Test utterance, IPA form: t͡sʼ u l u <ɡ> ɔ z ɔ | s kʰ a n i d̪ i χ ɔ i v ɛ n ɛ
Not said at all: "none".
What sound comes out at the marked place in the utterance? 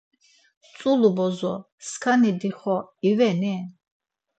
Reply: b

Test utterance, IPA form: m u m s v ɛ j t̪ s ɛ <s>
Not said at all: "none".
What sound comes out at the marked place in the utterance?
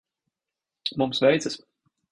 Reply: s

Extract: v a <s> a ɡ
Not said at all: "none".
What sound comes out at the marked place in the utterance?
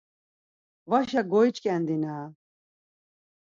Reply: ʃ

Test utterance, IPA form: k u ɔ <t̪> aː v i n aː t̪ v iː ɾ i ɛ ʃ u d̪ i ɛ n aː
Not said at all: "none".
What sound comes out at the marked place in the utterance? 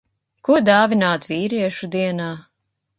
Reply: d̪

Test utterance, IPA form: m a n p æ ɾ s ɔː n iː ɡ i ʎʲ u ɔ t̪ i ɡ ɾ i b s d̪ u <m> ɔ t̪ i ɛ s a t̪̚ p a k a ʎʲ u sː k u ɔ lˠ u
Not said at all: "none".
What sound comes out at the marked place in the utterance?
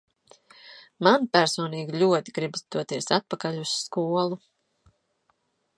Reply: none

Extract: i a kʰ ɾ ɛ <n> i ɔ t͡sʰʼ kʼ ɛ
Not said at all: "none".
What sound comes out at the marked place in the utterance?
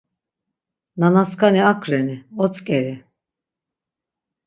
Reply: n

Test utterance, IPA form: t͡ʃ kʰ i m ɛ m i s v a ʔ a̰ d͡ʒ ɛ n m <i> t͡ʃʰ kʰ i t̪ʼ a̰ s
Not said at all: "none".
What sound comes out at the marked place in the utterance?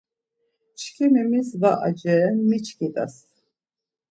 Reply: i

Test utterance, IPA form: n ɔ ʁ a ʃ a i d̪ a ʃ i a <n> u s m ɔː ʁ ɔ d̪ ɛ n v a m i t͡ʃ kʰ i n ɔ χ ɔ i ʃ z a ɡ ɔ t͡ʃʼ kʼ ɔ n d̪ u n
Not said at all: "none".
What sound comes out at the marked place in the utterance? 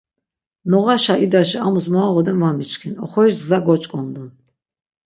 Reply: m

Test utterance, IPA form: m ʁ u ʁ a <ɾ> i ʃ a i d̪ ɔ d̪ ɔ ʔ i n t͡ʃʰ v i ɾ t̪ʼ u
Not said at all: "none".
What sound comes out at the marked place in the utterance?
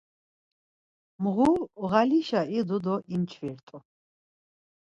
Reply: l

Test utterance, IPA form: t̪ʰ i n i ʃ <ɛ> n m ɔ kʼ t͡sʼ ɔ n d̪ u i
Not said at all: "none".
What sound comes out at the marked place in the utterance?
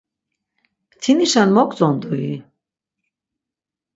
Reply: a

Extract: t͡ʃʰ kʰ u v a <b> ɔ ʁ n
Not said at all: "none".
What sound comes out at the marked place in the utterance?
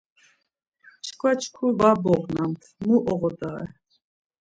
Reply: b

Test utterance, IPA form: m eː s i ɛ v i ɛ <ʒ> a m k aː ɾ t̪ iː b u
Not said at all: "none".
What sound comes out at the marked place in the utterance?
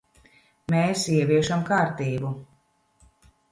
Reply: ʃ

